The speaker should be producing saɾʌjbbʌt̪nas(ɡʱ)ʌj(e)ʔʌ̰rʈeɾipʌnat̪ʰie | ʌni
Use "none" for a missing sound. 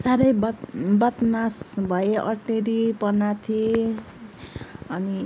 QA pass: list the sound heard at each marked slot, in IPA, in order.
bʱ, e

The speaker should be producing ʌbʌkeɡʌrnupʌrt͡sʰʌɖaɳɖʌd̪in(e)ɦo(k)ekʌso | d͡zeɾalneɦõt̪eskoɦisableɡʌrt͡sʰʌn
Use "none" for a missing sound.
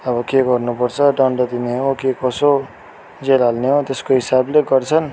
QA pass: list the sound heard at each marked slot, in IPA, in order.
e, k

